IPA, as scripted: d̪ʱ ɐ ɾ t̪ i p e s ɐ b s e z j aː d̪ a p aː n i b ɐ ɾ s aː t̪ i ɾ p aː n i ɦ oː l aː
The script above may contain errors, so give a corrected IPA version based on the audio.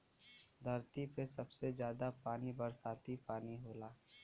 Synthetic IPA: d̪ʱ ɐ ɾ t̪ i p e s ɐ b s e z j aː d̪ a p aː n i b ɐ ɾ s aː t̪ i p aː n i ɦ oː l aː